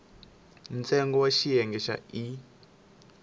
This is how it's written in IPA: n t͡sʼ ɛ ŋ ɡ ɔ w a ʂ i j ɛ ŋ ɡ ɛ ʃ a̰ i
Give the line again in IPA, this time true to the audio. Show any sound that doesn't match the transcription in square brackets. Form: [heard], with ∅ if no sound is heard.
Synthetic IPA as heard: n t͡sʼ ɛ ŋ ɡ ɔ w a [ʃ] i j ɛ ŋ ɡ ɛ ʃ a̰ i